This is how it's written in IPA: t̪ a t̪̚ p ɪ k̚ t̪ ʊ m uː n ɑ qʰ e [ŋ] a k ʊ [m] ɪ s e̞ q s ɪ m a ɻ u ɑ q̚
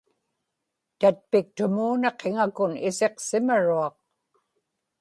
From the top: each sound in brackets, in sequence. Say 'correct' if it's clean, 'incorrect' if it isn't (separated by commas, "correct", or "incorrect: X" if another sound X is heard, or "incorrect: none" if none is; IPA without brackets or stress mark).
correct, incorrect: n